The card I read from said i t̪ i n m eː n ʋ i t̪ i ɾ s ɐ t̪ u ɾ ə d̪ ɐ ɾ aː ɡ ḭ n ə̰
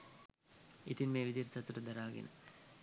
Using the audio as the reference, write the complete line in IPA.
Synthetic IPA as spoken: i t̪ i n m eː ʋ i d̪ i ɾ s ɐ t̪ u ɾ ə d̪ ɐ ɾ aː ɡ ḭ n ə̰